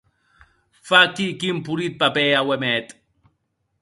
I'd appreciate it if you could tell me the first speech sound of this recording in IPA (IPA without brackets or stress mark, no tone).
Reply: f